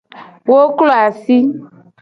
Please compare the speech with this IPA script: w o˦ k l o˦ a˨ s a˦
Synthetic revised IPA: w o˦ k l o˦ a˨ s i˦